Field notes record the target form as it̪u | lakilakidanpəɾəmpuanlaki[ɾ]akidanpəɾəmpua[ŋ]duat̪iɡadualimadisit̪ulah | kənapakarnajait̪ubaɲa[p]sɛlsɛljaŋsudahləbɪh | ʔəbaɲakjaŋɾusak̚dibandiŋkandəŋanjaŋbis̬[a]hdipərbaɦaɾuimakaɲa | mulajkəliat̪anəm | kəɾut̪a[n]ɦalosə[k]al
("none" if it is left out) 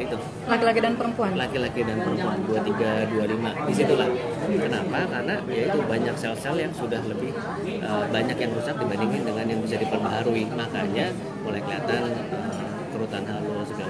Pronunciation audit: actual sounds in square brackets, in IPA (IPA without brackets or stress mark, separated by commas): l, n, k, a, n, ɡ